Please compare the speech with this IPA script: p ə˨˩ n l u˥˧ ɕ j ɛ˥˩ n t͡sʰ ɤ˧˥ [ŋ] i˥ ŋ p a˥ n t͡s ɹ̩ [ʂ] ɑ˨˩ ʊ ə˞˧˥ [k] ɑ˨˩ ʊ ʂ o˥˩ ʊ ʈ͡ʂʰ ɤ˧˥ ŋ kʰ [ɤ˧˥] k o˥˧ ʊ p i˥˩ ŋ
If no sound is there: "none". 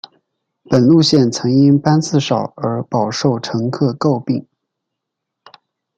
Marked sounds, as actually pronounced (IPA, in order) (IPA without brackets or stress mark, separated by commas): ŋ, ʂ, p, ɤ˥˧